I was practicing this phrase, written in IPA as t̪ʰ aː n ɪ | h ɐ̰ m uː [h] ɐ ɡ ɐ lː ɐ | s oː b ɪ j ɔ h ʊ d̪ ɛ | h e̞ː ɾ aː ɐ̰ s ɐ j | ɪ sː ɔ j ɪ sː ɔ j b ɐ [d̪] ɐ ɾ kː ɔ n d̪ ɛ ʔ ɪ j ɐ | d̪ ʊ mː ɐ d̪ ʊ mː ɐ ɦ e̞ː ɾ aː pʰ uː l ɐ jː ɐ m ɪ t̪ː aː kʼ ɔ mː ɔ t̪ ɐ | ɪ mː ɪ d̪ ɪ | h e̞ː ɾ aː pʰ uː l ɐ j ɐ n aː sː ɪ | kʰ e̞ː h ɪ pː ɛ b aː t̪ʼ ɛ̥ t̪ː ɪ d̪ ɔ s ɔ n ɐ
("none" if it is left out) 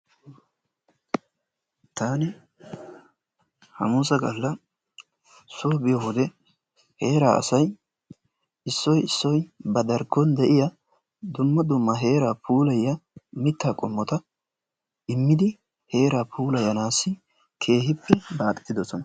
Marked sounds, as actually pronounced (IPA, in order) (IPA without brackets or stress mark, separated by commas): s, d̪